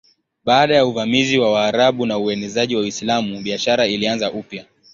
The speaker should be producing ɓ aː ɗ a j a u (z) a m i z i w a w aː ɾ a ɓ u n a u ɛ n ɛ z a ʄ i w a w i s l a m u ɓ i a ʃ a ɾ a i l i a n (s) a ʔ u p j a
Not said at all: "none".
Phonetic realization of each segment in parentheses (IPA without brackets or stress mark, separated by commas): v, z